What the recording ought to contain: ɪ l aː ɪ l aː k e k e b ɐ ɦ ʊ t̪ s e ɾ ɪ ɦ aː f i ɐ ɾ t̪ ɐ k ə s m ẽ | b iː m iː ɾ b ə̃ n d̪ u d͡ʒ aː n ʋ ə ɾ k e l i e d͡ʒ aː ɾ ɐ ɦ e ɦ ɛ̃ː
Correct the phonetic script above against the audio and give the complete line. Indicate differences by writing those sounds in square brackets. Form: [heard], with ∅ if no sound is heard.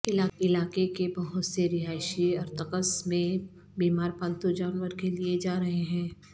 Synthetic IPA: ɪ l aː ɪ l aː k e k e b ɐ ɦ ʊ t̪ s e ɾ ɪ ɦ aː [ʃ] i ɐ ɾ t̪ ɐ k ə s m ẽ | b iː m [aː] ɾ [p] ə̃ n [t̪] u d͡ʒ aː n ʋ ə ɾ k e l i e d͡ʒ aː ɾ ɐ ɦ e ɦ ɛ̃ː